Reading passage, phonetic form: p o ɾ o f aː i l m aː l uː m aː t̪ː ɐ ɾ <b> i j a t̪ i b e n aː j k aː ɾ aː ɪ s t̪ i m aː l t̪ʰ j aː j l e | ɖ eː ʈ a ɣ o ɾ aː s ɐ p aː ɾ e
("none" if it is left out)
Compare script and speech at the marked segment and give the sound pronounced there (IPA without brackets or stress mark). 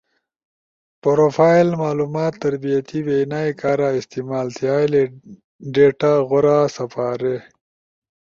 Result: b